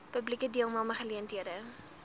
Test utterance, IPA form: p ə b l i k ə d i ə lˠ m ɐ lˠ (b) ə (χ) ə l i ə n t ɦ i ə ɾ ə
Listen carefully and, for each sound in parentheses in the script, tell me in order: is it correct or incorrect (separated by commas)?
incorrect, correct